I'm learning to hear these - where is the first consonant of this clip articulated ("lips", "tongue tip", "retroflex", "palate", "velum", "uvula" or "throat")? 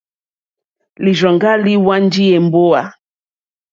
tongue tip